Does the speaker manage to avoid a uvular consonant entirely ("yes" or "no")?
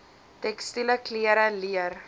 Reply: yes